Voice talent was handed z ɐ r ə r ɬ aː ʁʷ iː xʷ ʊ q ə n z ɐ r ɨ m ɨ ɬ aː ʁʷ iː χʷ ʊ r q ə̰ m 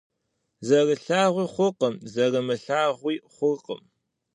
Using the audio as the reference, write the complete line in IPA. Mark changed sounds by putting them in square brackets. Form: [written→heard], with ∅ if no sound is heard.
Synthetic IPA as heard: z ɐ r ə [r→∅] ɬ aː ʁʷ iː [xʷ→χʷ] ʊ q ə [n→m] z ɐ r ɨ m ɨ ɬ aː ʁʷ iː χʷ ʊ r q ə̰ m